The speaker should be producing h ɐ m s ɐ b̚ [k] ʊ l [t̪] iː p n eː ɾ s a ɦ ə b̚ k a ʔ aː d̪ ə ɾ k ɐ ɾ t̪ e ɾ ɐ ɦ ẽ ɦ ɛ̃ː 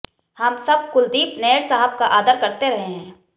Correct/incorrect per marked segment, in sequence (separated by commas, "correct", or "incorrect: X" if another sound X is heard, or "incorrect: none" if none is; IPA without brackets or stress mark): correct, incorrect: d̪